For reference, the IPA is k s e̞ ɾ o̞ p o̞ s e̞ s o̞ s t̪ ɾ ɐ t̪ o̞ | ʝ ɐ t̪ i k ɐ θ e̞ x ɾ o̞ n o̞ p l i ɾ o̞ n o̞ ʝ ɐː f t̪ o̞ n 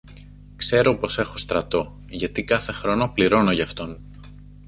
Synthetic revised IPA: k s e̞ ɾ o̞ p o̞ s e̞ x o̞ s t̪ ɾ ɐ t̪ o̞ | ʝ ɐ t̪ i k ɐ θ e̞ x ɾ o̞ n o̞ p l i ɾ o̞ n o̞ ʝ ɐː f t̪ o̞ n